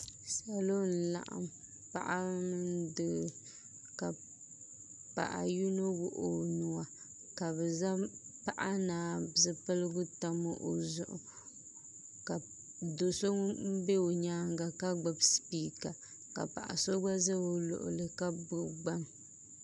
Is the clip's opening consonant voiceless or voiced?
voiceless